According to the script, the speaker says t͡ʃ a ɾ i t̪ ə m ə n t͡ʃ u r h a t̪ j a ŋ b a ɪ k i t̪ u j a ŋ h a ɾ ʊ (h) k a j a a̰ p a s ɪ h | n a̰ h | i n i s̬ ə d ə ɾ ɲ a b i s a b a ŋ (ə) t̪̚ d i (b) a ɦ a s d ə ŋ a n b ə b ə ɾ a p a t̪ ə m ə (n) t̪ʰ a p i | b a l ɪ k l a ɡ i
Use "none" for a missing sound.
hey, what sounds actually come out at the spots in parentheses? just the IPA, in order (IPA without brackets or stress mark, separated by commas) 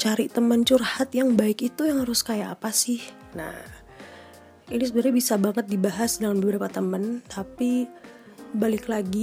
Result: s, ə, b, n